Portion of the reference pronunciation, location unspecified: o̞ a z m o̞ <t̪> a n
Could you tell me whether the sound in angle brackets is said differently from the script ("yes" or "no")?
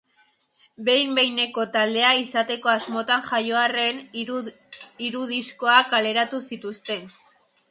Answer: no